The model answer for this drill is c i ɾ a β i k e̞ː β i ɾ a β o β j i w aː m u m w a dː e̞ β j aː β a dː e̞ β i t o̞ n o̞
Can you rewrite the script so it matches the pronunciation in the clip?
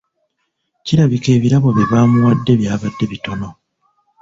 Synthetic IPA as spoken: c i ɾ a β i k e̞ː β i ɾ a β o β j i β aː m u w a dː e̞ β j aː β a dː e̞ β i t o̞ n o̞